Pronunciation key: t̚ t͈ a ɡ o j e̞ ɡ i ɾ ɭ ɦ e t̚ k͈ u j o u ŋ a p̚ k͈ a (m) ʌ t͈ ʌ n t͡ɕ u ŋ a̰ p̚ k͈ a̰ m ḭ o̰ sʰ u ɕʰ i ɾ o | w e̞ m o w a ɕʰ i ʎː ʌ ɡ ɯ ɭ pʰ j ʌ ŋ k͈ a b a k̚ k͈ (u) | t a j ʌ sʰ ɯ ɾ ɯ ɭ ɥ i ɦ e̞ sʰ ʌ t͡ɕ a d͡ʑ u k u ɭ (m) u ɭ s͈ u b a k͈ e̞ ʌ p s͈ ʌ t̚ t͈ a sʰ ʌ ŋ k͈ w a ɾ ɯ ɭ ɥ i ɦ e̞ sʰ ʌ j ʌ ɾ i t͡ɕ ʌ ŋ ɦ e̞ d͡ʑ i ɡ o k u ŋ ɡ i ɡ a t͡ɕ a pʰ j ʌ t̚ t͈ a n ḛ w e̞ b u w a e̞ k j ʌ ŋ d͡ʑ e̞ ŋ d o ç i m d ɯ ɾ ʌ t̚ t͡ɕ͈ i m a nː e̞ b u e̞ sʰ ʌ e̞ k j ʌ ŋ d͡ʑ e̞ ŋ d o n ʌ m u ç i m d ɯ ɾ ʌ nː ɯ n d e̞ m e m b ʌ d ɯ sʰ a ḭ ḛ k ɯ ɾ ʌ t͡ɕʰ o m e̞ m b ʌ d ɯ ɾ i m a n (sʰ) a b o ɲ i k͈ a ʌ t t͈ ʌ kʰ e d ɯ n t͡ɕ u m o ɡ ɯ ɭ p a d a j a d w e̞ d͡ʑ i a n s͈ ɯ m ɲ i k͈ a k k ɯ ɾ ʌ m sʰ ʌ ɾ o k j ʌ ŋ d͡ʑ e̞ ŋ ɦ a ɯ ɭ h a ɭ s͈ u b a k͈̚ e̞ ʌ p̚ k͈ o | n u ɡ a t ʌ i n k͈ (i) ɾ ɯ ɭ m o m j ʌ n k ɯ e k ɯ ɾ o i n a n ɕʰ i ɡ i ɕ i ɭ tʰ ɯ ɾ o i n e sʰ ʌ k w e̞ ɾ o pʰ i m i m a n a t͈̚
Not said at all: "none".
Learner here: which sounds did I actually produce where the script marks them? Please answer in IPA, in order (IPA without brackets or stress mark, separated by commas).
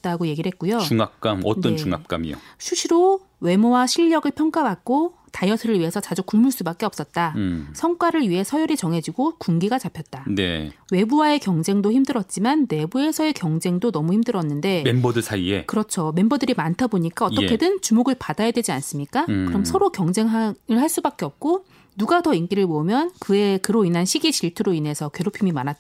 m, o, m, tʰ, i